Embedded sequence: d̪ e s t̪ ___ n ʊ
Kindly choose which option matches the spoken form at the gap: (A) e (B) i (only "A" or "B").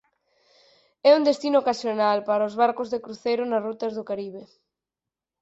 B